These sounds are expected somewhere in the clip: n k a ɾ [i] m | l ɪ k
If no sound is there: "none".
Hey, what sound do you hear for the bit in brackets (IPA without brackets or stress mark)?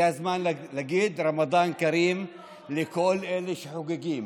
iː